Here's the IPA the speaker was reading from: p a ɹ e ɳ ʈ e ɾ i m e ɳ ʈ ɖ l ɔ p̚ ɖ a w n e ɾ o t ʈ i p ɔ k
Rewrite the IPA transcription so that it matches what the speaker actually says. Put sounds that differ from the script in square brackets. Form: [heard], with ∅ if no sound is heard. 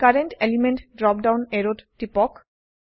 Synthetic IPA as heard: [k] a [ɾ] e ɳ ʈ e [l] i m e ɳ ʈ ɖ [ɾ] ɔ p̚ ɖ a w n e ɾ o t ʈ i p ɔ k